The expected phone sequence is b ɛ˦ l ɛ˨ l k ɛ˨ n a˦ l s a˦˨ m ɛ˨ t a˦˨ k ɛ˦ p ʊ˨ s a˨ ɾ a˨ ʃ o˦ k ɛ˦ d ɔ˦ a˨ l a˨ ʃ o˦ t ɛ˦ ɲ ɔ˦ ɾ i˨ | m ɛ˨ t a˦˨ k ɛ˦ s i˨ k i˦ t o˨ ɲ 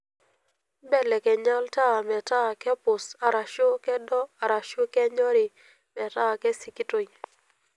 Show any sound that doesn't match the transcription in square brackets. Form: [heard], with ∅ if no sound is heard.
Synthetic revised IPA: b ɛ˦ l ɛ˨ [∅] k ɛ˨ [ɲ] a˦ l [t] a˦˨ m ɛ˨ t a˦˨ k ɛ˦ p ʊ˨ s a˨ ɾ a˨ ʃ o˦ k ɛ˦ d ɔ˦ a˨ [ɾ] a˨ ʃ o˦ [k] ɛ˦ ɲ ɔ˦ ɾ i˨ | m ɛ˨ t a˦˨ k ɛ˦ s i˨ k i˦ t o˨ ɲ